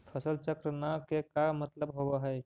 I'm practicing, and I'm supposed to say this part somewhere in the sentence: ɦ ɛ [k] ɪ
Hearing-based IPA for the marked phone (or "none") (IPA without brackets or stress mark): none